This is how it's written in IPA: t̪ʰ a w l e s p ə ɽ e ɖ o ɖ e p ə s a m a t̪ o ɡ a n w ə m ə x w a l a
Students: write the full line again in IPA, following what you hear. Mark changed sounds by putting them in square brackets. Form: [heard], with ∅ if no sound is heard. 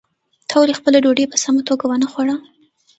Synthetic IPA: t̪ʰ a w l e [x] p ə [l] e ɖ o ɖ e p ə s a m a t̪ o ɡ a [∅] w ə [n] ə x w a [ɽ] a